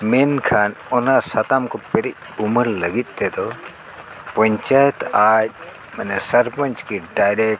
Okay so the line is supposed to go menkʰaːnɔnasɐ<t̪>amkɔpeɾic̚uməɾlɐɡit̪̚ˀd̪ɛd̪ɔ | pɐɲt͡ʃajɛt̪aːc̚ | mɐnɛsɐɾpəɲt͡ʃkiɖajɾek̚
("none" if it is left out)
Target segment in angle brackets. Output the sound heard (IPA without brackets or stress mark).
t̪